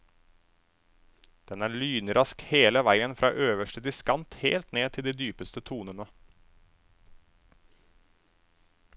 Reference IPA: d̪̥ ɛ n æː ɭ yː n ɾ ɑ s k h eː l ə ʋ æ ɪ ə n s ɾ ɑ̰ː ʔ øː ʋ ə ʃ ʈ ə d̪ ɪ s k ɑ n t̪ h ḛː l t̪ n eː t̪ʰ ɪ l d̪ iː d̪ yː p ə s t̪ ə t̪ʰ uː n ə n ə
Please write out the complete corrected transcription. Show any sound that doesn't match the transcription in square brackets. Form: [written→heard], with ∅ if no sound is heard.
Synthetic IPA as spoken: d̪̥ ɛ n æː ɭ yː n ɾ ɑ s k h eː l ə ʋ æ ɪ ə n [s→f] ɾ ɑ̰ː ʔ øː ʋ ə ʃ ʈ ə d̪ ɪ s k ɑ n t̪ h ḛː l t̪ n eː t̪ʰ ɪ l d̪ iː d̪ yː p ə s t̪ ə t̪ʰ uː n ə n ə